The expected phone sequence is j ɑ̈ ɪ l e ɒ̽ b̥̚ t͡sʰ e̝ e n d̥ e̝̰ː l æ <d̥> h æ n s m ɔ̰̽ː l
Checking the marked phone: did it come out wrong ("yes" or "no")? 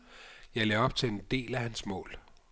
yes